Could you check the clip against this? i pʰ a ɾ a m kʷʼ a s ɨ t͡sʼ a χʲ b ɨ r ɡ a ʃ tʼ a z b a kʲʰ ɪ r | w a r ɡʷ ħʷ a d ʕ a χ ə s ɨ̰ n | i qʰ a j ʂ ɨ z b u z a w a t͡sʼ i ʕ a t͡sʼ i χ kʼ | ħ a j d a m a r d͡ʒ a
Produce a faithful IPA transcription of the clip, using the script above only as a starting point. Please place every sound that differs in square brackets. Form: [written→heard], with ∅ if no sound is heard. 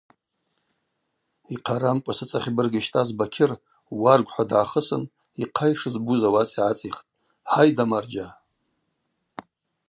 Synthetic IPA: i [pʰ→qʰ] a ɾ a m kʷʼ a s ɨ t͡sʼ a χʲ b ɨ r ɡ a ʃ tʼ a z b a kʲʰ ɪ r | w a r ɡʷ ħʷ a d ʕ a χ ə s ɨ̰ n | i qʰ a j ʂ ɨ z b u z a w a t͡sʼ i ʕ a t͡sʼ i χ [kʼ→tʼ] | ħ a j d a m a r d͡ʒ a